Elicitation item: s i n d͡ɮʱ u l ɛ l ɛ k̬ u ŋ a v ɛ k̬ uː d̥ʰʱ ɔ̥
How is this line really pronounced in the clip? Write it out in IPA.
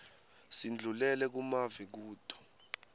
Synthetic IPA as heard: s i n d͡ɮʱ u l ɛ l ɛ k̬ u m a v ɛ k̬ uː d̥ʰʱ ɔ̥